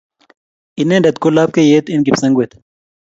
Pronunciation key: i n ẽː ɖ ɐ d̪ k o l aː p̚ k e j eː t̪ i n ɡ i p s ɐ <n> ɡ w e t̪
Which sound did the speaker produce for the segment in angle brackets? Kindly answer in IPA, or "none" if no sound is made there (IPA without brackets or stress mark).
ŋ